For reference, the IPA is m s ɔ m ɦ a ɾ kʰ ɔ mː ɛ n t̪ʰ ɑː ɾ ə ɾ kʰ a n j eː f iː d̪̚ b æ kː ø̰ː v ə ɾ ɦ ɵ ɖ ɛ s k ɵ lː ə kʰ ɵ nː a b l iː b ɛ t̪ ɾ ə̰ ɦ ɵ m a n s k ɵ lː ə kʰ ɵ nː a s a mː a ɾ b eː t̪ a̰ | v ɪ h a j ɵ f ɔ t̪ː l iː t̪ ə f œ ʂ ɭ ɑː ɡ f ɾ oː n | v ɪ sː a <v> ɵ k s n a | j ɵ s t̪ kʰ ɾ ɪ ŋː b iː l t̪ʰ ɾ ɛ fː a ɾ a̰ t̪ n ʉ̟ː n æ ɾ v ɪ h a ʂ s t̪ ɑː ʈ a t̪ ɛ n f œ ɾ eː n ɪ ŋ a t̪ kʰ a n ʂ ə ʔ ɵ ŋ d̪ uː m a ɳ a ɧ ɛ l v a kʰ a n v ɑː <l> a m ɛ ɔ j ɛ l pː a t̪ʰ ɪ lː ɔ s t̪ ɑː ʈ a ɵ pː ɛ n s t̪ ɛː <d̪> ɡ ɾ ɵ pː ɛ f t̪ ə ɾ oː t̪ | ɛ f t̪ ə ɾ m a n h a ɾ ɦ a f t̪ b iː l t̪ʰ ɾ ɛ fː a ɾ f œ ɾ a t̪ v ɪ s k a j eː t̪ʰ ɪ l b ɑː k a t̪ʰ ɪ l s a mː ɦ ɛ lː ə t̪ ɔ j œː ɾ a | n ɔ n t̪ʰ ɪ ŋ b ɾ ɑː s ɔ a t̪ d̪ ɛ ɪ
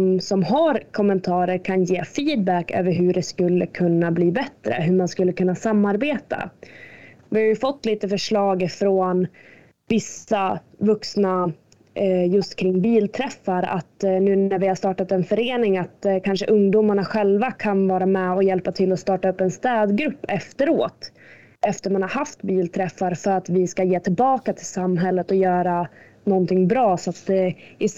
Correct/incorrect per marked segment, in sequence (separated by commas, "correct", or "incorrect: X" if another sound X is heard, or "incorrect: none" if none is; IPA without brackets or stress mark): correct, incorrect: ɾ, correct